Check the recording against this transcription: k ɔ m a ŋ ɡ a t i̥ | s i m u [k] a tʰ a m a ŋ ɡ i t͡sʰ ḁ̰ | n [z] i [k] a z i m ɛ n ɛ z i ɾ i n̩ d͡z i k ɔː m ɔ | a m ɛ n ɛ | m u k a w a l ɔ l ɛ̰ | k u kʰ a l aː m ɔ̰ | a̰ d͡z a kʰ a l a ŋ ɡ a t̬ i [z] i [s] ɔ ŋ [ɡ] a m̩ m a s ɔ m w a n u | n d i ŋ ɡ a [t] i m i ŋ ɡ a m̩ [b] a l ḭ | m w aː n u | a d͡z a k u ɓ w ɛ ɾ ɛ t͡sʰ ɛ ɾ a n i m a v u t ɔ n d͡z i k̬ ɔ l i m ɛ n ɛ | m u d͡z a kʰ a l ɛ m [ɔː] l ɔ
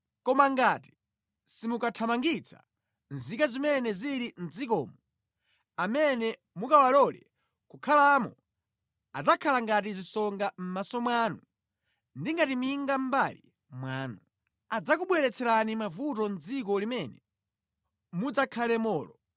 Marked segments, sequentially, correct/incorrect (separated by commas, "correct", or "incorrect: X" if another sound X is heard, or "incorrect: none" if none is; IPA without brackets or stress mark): correct, correct, correct, correct, correct, correct, correct, correct, correct